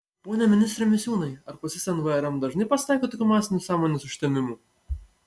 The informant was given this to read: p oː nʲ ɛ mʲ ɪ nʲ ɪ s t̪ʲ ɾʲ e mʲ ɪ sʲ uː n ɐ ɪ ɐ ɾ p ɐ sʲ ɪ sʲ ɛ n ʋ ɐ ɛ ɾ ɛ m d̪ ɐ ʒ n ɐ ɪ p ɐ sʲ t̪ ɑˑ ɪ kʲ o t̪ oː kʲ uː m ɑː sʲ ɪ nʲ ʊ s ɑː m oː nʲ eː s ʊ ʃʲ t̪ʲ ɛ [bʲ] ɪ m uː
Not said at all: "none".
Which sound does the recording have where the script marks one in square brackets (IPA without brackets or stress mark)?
mʲ